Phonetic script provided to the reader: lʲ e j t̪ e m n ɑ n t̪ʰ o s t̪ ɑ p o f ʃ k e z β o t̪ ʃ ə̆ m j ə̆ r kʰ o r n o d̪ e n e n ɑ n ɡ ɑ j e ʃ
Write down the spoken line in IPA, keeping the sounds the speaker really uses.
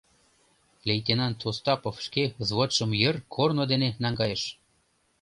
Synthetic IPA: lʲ e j t̪ e n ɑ n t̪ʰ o s t̪ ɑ p o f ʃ k e z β o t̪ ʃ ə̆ m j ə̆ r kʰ o r n o d̪ e n e n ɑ ŋ ɡ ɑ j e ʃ